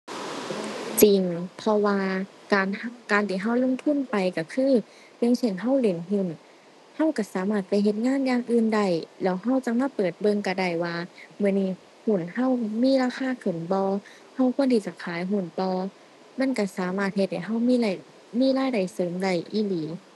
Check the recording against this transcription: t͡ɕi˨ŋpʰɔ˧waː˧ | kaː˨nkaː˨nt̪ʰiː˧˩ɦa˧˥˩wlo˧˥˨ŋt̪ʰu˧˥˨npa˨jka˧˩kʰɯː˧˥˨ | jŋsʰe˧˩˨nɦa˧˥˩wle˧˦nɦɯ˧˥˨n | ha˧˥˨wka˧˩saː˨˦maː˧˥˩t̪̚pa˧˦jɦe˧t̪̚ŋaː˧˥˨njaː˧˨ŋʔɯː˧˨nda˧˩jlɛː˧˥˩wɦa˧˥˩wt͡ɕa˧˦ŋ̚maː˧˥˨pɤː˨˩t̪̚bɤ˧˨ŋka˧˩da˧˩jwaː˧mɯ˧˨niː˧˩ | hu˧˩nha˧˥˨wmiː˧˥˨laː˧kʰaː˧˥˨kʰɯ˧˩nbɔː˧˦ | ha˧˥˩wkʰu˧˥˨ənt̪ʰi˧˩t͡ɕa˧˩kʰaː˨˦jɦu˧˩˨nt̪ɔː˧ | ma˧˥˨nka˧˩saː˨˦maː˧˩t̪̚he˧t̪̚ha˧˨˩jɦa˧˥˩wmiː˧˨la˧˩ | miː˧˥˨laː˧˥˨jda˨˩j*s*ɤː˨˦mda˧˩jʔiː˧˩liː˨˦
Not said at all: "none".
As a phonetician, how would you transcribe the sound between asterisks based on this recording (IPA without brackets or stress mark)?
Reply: s